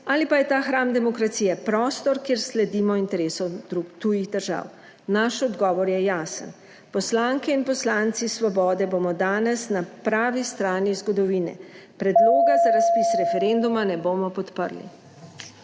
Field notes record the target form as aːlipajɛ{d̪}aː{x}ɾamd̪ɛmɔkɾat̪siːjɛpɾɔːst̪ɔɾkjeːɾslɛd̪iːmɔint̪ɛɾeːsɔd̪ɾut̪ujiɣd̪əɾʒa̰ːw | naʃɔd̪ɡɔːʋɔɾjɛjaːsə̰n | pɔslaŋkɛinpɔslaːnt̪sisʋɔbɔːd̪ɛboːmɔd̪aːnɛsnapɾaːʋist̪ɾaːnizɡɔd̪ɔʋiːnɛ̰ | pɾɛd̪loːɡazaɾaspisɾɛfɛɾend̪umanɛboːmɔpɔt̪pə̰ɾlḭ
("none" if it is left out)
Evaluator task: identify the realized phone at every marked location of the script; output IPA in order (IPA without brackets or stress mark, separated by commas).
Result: t̪, x